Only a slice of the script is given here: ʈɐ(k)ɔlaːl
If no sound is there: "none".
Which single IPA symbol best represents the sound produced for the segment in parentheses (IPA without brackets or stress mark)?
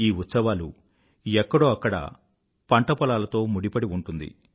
p